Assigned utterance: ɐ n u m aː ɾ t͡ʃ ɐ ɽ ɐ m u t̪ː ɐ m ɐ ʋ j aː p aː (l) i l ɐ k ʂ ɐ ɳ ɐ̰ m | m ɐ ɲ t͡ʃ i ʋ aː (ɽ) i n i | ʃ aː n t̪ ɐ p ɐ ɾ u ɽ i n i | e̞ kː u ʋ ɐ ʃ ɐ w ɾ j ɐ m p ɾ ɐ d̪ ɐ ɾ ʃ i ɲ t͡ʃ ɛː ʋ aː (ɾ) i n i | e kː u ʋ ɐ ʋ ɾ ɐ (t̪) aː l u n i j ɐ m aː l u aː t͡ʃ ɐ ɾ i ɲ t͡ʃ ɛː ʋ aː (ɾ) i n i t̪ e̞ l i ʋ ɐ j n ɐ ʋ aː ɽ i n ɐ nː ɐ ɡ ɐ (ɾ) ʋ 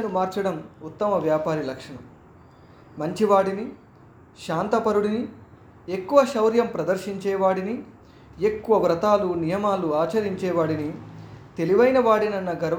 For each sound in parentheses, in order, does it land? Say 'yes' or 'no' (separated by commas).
no, yes, no, yes, no, yes